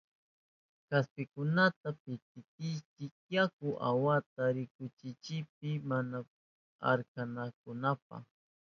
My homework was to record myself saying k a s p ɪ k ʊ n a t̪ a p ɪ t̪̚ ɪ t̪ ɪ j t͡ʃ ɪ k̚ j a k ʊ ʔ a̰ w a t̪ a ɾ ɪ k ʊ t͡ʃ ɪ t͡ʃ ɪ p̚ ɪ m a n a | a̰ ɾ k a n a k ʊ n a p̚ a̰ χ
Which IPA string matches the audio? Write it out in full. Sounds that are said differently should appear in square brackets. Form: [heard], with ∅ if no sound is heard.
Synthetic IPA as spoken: k a s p ɪ k ʊ n a t̪ a p ɪ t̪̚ ɪ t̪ ɪ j t͡ʃ ɪ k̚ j a k ʊ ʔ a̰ w a t̪ a ɾ ɪ k ʊ t͡ʃ ɪ t͡ʃ ɪ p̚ ɪ m a n a | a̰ ɾ k a n a k ʊ n a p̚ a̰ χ